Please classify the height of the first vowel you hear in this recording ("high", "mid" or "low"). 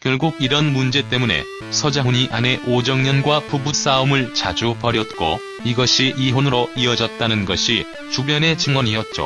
mid